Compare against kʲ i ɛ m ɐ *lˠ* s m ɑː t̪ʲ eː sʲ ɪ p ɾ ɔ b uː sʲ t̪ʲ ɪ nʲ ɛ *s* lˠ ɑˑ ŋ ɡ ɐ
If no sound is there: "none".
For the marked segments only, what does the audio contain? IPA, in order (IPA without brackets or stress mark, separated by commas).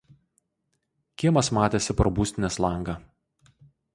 none, s